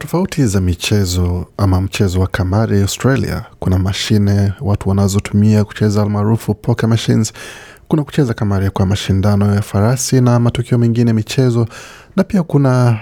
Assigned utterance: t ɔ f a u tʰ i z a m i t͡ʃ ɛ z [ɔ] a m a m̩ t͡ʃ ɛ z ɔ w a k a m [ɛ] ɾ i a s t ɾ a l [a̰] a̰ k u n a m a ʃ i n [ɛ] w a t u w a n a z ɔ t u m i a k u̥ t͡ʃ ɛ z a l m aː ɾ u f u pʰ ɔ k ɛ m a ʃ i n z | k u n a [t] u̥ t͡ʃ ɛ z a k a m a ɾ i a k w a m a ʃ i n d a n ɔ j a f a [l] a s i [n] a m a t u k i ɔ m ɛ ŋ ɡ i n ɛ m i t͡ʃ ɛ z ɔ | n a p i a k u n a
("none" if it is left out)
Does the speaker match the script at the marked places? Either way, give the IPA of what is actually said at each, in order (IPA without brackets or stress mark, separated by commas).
ɔ, a, ḭ, ɛ, k, ɾ, n